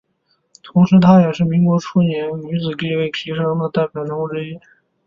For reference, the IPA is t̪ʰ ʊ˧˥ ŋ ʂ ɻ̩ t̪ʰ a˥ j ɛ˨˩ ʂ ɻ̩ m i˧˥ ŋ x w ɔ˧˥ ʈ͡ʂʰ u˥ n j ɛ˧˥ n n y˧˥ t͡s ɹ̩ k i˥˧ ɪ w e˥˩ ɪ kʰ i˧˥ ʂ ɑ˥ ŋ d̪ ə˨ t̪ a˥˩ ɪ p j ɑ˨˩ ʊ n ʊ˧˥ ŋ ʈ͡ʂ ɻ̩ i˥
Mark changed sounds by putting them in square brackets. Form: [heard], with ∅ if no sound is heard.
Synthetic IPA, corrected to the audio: t̪ʰ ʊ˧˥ ŋ ʂ ɻ̩ t̪ʰ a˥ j ɛ˨˩ ʂ ɻ̩ m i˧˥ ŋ [k] w ɔ˧˥ ʈ͡ʂʰ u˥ n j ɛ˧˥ n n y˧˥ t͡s ɹ̩ k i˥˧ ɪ w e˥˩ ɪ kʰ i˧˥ ʂ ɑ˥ ŋ d̪ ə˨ t̪ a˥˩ ɪ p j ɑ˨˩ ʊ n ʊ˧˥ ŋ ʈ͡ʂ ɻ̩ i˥